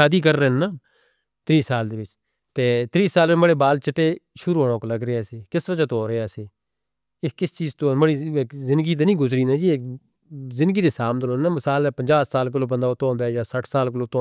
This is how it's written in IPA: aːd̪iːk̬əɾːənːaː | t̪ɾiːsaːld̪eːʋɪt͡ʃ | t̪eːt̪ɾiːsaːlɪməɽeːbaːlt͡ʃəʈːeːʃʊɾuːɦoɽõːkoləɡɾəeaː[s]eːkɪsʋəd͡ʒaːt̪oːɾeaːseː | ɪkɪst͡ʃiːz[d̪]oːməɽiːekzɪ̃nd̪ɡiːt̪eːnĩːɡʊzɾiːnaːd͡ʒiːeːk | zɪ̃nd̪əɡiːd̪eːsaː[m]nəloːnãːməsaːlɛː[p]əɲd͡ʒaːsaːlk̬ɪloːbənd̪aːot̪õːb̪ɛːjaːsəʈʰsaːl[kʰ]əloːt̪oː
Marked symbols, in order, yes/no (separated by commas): yes, no, yes, yes, no